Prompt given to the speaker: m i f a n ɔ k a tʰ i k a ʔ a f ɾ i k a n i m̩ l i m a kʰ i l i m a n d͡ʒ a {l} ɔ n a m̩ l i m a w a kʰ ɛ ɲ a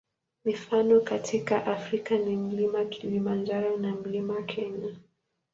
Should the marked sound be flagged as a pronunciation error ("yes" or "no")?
yes